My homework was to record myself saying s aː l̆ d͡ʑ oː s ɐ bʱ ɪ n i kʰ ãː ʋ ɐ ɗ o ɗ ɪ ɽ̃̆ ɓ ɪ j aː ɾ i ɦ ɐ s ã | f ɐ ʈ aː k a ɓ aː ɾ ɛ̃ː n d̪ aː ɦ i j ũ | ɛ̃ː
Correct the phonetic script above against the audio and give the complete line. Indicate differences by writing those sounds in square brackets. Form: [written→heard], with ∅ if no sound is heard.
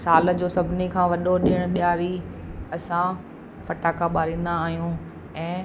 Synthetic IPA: s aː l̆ d͡ʑ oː s ɐ bʱ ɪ n i kʰ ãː ʋ ɐ ɗ o ɗ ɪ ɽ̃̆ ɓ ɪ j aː ɾ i [ɦ→∅] ɐ s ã | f ɐ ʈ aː k a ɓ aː ɾ [ɛ̃ː→ĩː] n d̪ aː ɦ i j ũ | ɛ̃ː